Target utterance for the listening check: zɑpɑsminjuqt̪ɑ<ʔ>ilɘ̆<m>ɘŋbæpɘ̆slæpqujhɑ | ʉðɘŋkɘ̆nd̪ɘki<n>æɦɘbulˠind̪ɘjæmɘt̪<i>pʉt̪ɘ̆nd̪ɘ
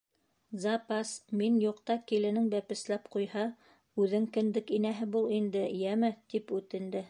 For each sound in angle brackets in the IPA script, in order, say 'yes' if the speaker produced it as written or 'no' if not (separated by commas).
no, no, yes, yes